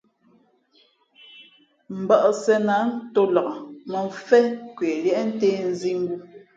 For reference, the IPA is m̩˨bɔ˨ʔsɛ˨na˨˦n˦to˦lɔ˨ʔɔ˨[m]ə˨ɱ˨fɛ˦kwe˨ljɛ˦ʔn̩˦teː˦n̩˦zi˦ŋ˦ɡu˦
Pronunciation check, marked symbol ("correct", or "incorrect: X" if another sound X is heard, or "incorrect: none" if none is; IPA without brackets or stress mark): correct